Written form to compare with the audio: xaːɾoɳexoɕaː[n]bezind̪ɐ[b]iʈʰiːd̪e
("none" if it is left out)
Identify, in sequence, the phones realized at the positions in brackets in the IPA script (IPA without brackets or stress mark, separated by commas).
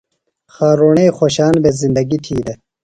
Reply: n, ɡ